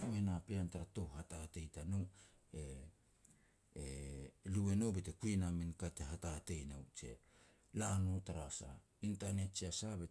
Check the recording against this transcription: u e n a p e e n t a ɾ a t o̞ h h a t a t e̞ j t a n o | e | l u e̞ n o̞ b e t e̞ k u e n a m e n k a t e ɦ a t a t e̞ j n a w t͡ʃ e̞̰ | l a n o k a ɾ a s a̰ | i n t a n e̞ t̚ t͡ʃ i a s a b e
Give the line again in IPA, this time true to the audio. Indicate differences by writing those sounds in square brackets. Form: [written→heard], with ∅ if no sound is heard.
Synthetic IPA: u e n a p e [e→a] n t a ɾ a t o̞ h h a t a t e̞ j t a n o | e | l u e̞ n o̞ b e t e̞ k u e n a m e n k a t e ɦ a t a t e̞ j n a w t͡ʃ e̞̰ | l a n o [k→t] a ɾ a s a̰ | i n t a n e̞ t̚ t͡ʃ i a s a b e